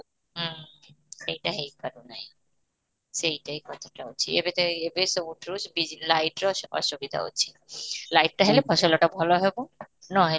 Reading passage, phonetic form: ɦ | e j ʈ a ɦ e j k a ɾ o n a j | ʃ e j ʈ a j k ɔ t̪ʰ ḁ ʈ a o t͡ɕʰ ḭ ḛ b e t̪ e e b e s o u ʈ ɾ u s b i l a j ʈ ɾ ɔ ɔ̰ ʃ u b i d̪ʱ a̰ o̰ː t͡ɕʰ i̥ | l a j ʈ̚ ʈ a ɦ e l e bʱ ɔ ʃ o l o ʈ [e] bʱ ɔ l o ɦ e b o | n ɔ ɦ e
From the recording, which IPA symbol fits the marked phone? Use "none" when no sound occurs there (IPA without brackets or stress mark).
a